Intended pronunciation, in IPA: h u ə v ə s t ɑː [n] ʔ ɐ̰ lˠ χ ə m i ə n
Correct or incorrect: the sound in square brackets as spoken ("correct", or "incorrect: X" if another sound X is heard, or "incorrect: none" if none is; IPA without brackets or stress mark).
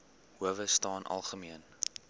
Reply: correct